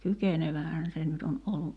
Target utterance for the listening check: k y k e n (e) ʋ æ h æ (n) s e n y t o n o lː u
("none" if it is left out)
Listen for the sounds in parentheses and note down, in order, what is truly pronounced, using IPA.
e, n

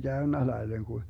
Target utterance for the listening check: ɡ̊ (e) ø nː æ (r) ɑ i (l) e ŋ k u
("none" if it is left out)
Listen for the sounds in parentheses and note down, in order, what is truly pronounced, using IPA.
æ, l, l

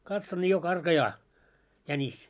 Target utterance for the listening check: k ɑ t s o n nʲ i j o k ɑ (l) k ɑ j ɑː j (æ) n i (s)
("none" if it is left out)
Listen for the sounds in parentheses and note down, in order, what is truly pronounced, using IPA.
r, æ, s

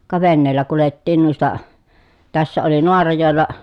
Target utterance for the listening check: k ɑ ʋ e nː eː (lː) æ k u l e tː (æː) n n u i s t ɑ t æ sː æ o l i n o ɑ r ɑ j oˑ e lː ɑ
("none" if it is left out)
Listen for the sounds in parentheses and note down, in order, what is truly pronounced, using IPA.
lː, iː

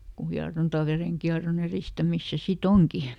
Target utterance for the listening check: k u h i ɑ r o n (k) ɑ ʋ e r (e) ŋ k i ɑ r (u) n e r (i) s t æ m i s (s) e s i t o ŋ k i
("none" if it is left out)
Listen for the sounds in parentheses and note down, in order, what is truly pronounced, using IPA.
t, e, o, i, s

